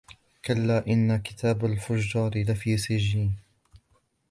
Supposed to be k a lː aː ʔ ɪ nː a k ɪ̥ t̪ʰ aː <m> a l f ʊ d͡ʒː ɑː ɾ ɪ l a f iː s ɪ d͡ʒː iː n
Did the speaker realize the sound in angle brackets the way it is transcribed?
no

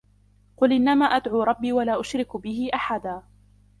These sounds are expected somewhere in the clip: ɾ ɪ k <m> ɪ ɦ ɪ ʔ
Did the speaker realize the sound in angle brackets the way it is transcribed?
no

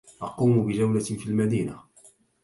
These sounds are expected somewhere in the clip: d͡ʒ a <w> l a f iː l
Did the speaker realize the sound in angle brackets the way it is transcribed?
yes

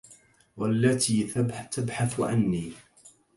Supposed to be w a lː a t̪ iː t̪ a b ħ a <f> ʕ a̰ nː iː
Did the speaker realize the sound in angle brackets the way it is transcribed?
no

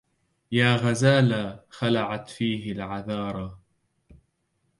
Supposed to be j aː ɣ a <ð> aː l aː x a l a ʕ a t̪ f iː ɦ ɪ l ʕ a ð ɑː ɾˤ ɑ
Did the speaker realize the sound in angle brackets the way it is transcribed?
no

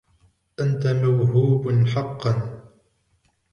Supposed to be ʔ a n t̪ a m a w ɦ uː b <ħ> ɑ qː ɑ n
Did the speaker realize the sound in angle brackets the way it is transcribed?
yes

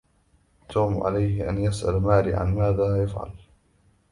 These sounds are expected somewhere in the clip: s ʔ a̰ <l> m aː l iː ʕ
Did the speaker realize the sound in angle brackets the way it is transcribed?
yes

